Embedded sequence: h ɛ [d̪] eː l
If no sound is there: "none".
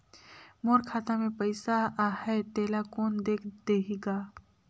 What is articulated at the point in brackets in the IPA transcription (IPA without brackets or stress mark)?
t̪